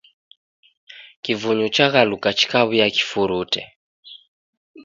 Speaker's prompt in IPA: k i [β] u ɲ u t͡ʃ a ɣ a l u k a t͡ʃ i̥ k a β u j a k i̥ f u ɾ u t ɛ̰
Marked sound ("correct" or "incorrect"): incorrect